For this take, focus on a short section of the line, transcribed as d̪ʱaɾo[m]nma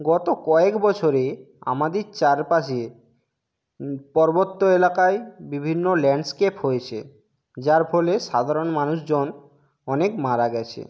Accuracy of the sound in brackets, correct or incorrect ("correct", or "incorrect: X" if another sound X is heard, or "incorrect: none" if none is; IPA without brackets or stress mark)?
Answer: incorrect: none